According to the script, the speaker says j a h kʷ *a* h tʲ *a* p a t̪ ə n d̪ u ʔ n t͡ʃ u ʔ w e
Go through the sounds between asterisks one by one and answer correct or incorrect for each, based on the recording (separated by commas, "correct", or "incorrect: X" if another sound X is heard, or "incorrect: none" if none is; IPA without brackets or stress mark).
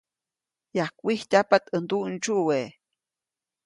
incorrect: i, correct